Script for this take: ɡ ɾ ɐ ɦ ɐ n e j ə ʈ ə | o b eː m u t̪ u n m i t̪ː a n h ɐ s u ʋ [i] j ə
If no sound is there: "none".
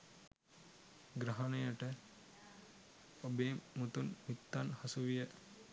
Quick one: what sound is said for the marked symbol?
i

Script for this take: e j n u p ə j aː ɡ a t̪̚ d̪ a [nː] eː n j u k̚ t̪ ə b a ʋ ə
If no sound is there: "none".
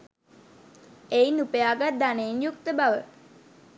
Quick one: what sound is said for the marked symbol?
n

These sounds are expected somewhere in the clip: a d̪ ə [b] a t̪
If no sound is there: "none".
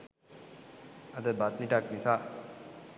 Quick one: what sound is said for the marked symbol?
b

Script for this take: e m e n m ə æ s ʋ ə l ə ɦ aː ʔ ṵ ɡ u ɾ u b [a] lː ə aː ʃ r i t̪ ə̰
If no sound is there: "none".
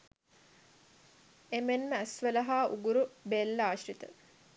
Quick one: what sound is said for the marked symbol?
e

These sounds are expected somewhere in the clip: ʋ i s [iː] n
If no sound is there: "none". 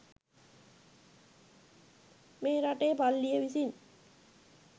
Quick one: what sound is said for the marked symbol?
i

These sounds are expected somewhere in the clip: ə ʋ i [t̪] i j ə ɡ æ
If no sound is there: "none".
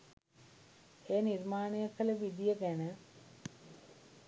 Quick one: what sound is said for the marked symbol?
d̪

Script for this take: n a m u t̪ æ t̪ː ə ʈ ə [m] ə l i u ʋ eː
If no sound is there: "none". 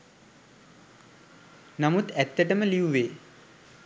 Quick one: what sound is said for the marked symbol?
m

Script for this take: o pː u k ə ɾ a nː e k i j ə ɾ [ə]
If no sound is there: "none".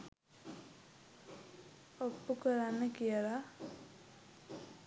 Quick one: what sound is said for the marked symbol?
a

